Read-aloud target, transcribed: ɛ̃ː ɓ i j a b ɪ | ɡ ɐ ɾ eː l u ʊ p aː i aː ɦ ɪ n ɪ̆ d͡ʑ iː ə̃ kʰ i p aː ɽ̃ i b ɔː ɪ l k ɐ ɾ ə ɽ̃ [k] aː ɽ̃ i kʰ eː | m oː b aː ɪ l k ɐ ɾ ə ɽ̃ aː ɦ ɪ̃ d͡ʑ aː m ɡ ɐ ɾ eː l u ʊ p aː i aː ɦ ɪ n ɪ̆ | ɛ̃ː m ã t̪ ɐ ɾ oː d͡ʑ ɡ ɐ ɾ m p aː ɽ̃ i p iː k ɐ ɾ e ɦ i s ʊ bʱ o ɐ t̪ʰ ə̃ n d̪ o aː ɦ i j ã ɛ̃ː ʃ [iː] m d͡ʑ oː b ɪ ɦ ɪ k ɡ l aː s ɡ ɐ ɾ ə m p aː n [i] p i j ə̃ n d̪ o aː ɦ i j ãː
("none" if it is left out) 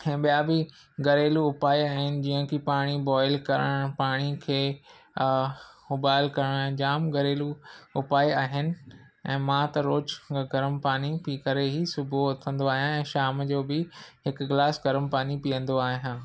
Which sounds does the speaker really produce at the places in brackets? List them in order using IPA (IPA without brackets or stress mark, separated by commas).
p, aː, i